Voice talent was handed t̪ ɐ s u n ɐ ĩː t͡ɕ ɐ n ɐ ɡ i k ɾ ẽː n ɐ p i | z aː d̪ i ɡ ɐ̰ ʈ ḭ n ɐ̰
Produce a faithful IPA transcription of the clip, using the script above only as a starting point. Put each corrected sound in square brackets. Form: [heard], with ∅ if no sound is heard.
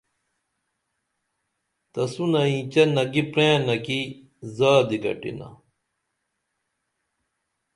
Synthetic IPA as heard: t̪ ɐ s u n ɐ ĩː t͡ɕ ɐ n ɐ ɡ i [p] ɾ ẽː n ɐ [k] i | z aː d̪ i ɡ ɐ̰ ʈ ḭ n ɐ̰